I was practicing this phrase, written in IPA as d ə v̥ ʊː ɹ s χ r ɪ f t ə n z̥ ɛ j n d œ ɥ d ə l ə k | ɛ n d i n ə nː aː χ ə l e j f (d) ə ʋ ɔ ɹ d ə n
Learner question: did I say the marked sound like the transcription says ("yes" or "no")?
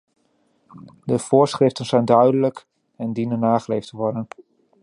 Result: no